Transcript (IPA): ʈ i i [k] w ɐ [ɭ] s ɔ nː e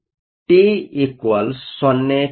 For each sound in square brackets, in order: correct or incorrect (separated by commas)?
correct, incorrect